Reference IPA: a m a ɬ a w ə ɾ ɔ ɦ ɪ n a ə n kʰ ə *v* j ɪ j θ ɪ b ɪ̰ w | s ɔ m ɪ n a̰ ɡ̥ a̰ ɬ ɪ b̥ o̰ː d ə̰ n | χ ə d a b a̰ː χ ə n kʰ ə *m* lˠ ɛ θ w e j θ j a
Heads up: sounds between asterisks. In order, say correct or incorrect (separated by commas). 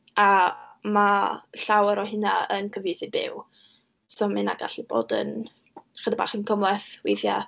correct, correct